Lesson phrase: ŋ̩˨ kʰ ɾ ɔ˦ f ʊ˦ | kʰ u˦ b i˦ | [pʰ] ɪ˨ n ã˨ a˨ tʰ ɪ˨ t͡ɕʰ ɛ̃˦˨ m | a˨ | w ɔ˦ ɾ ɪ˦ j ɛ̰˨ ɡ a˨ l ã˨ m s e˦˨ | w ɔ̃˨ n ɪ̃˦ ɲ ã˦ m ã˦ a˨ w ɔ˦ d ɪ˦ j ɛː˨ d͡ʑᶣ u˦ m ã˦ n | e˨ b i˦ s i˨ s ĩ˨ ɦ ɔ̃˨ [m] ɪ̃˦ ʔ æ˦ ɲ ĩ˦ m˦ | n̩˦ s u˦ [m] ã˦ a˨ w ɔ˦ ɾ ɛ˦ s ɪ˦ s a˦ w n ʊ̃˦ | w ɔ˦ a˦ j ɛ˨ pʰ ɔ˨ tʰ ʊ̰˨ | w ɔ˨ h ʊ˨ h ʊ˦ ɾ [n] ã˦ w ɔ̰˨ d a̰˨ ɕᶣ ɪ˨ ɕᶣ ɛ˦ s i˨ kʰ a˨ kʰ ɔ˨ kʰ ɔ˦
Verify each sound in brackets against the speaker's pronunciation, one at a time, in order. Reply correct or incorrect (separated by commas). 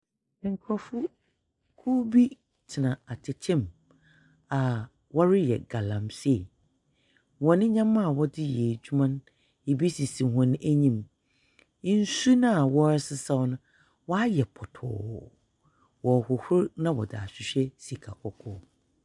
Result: incorrect, incorrect, incorrect, correct